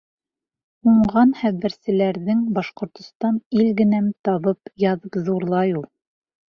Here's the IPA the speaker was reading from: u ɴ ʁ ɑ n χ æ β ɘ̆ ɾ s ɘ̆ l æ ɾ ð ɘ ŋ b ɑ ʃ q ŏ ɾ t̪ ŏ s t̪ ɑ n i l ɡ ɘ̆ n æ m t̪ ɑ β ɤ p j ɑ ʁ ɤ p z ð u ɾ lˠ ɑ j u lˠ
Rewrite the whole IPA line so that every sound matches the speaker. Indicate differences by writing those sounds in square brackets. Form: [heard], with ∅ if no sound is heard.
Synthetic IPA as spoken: u ɴ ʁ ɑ n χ æ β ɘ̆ ɾ s ɘ̆ l æ ɾ ð ɘ ŋ b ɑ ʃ q ŏ ɾ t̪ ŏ s t̪ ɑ n i l ɡ ɘ̆ n æ m t̪ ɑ β ɤ p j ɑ [ð] ɤ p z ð u ɾ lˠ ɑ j u lˠ